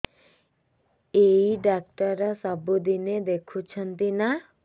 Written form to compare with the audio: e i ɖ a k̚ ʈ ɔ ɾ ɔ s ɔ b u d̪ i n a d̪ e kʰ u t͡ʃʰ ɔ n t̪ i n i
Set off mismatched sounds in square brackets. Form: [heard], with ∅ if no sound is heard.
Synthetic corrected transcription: e i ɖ a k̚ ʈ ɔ ɾ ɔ s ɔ b u d̪ i n [e] d̪ e kʰ u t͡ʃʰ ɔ n t̪ i n [a]